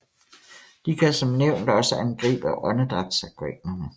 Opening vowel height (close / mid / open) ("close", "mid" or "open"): close